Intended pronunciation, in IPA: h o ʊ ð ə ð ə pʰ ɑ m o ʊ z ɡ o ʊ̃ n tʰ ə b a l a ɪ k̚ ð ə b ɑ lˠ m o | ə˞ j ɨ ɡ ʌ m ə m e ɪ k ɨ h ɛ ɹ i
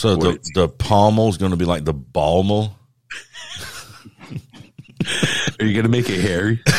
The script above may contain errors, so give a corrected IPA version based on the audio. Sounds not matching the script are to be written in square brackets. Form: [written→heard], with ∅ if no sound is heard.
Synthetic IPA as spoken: [h→s] o ʊ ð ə ð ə pʰ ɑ m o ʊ z ɡ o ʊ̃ n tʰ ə b [a→i] l a ɪ k̚ ð ə b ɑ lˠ m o | ə˞ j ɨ ɡ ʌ [m→n] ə m e ɪ k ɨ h ɛ ɹ i